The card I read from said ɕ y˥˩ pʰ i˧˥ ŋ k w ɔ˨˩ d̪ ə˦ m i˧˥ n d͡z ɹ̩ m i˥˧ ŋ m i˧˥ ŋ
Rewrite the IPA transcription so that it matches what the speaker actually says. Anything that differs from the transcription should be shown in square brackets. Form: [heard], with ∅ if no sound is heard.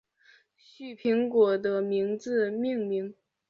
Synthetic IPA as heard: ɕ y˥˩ pʰ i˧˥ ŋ k w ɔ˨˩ d̪ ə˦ m i˧˥ [ŋ] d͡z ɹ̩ m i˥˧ ŋ m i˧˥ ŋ